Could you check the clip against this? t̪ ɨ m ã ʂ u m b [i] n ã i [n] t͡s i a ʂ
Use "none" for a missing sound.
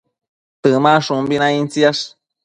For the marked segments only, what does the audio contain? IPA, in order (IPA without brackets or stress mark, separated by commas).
i, n